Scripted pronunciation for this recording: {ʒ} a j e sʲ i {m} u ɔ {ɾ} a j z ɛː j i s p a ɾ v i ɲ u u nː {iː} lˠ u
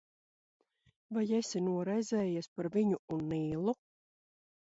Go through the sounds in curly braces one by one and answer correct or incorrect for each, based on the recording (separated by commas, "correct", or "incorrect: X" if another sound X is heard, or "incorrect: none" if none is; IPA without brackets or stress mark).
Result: incorrect: v, incorrect: n, correct, correct